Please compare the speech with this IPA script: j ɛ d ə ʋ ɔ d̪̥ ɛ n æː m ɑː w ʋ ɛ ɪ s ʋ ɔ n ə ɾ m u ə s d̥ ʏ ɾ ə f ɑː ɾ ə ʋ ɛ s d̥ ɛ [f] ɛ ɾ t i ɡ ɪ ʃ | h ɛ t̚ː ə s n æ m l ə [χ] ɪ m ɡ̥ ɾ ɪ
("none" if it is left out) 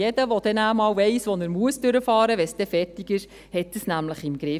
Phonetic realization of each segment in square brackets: f, χ

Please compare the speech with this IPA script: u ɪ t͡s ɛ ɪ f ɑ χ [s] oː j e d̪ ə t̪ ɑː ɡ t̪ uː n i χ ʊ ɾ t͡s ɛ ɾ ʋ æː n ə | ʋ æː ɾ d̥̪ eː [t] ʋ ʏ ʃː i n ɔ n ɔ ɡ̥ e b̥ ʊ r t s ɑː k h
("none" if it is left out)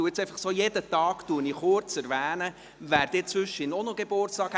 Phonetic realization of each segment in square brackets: s, t͡s

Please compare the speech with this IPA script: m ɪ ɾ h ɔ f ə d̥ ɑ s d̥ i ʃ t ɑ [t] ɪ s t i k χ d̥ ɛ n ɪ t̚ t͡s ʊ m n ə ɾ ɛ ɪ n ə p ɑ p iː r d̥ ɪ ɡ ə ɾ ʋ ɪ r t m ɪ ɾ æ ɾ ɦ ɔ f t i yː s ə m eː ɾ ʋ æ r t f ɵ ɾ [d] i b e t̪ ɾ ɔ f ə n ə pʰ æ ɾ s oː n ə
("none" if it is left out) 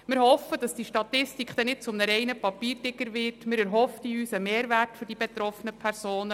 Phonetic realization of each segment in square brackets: t, d

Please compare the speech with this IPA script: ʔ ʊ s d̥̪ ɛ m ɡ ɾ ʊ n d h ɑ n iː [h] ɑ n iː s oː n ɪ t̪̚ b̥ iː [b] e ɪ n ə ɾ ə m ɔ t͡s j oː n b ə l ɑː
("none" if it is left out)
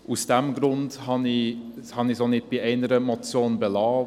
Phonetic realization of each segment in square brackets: h, none

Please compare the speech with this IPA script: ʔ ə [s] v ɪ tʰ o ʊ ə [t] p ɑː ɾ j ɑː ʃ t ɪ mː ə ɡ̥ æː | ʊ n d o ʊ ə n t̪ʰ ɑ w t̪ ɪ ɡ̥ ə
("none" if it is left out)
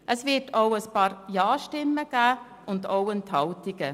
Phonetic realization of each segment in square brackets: s, s

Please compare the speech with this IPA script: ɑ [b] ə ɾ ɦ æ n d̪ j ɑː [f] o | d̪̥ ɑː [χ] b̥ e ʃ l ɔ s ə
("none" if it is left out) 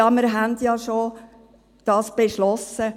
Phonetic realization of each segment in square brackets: m, ʃ, s

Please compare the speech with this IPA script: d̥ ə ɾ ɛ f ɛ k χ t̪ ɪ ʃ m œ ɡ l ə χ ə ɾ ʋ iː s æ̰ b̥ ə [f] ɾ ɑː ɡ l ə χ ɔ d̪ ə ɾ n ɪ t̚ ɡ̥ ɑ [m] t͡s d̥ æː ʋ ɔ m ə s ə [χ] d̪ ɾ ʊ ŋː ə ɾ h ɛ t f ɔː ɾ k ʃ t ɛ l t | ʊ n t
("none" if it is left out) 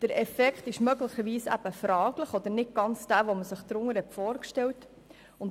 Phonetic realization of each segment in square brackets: f, n, χ

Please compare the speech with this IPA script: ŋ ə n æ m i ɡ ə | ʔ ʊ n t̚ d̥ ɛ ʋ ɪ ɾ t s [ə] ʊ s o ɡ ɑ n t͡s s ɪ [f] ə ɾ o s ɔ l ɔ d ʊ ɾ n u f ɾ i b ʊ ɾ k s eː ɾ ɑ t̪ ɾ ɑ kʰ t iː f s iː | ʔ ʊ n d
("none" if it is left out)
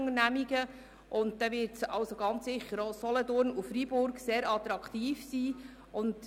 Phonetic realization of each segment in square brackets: ɑ, χ

